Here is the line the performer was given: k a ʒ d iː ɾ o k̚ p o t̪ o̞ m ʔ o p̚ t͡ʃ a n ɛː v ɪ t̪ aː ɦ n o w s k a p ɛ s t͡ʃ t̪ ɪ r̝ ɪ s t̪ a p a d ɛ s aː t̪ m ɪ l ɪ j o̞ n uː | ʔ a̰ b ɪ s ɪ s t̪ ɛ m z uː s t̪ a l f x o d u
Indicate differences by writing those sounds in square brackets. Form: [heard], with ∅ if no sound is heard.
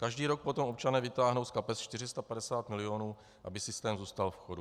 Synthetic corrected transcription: k a ʒ d iː ɾ o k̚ p o t̪ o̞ m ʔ o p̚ t͡ʃ a n ɛː v ɪ t̪ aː ɦ n o w s k a p ɛ s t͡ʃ t̪ ɪ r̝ ɪ s t̪ a p a d ɛ s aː t̪ m ɪ l ɪ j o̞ n uː | ʔ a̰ b ɪ s ɪ s t̪ [ɛː] m z uː s t̪ a l f x o d u